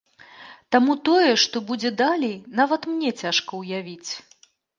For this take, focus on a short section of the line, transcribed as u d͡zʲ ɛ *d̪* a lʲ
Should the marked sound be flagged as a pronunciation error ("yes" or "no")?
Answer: no